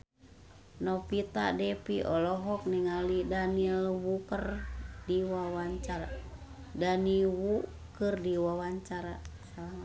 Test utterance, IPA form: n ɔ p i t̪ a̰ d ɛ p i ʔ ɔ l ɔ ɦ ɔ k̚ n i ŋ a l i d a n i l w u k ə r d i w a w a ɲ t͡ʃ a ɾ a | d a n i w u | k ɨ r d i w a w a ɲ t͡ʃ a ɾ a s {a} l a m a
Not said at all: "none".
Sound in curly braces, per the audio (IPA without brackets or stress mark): a